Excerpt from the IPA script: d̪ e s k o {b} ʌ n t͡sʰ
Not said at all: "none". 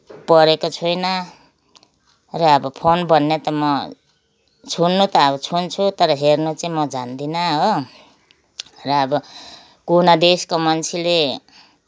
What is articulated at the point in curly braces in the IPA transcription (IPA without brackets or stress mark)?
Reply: m